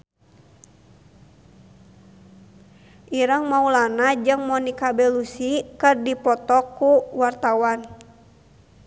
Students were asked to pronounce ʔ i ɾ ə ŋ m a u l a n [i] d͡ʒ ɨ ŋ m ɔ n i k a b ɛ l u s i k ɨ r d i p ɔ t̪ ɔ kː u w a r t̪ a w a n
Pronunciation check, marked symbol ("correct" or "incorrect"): incorrect